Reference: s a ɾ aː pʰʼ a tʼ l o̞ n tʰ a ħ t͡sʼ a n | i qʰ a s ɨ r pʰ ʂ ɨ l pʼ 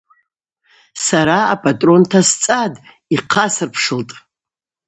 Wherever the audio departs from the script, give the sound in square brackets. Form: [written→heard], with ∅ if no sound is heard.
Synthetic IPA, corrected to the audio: s a ɾ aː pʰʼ a tʼ [l→r] o̞ n tʰ a [ħ→s] t͡sʼ a [n→d] | i qʰ a s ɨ r pʰ ʂ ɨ l [pʼ→tʼ]